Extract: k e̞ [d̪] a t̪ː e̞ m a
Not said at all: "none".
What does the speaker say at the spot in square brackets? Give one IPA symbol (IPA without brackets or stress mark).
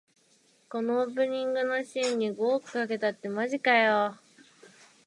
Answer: t̪